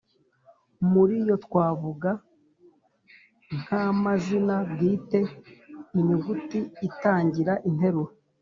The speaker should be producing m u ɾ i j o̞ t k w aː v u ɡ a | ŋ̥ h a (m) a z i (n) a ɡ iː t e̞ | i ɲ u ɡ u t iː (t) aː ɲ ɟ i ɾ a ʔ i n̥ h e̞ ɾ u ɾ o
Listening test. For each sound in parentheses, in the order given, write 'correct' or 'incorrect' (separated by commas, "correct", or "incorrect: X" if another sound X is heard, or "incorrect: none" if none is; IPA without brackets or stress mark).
correct, correct, correct